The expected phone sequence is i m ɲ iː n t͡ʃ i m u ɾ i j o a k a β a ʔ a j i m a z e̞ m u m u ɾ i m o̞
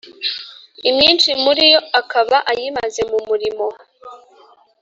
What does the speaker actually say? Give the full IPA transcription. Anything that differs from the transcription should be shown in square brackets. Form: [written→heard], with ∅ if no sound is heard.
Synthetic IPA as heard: i m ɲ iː n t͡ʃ i m u ɾ i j o a k a β a ʔ a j i m a z e̞ m u m u ɾ i m o̞

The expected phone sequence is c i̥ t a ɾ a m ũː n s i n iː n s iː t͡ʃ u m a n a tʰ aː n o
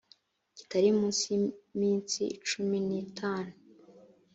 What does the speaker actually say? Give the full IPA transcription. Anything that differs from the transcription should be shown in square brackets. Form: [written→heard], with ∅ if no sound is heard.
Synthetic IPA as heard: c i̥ t a ɾ [a→i] m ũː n s i [n→m] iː n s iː t͡ʃ u m [a→i] n [a→i] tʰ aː n [o→u]

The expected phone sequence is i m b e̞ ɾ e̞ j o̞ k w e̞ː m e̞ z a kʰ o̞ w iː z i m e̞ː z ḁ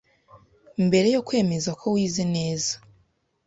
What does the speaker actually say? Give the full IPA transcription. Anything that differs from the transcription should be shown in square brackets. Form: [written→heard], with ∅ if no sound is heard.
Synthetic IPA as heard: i m b e̞ ɾ e̞ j o̞ k w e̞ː m e̞ z a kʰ o̞ w iː z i [m→n] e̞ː z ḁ

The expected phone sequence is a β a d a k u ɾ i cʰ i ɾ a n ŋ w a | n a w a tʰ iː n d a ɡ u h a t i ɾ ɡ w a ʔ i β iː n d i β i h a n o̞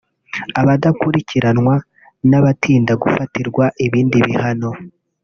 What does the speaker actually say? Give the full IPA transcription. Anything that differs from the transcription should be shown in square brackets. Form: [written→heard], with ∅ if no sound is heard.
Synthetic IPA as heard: a β a d a k u ɾ i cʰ i ɾ a n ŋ w a | n a [w→β] a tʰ iː n d a ɡ u [h→f] a t i ɾ ɡ w a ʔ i β iː n d i β i h a n o̞

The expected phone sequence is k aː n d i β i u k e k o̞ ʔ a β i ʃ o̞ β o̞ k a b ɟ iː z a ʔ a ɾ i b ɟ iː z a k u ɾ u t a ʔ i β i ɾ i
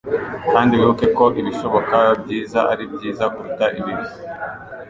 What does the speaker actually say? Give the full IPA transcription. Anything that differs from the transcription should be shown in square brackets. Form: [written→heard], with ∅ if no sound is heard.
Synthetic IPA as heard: k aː n d i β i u k e k o̞ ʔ [a→i] β i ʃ o̞ β o̞ k a b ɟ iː z a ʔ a ɾ i b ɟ iː z a k u ɾ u t a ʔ i β i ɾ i

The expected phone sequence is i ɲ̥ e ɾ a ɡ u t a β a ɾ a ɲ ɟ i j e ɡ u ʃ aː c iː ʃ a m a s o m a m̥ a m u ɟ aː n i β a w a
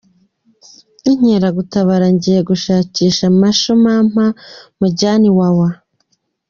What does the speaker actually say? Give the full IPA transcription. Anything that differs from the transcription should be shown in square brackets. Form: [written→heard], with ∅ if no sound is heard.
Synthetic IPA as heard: i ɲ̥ e ɾ a ɡ u t a β a ɾ a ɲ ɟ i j e ɡ u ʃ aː c iː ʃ a m a [s→ʃ] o m a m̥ a m u ɟ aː n i [β→w] a w a

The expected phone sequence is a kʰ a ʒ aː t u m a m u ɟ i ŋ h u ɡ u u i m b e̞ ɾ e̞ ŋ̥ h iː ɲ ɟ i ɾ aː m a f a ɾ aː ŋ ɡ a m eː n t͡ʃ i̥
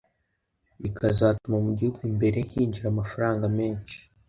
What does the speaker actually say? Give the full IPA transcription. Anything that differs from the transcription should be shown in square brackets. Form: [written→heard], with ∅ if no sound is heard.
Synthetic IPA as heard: [a→i] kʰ a [ʒ→z] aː t u m a m u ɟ i [ŋ→∅] h u ɡ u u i m b e̞ ɾ e̞ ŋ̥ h iː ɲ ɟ i ɾ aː m a f a ɾ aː ŋ ɡ a m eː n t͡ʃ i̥

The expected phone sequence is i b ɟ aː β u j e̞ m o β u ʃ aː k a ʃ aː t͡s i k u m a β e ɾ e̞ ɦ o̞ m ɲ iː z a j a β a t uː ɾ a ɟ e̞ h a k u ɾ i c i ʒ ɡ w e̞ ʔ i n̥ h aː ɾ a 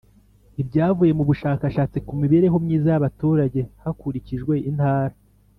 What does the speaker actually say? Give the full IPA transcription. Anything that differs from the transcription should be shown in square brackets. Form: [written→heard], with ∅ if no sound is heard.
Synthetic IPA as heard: i b ɟ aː [β→v] u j e̞ m [o→u] β u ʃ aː k a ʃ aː t͡s i k u m [a→i] β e ɾ e̞ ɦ o̞ m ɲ iː z a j a β a t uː ɾ a ɟ e̞ h a k u ɾ i c i ʒ ɡ w e̞ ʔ i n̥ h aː ɾ a

